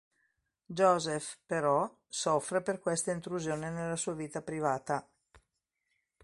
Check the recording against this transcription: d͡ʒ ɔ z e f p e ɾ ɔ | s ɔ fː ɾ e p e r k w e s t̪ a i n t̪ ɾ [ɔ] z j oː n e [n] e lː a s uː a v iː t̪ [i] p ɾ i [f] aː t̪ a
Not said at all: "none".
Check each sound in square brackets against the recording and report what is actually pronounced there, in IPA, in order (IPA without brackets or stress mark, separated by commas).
u, n, a, v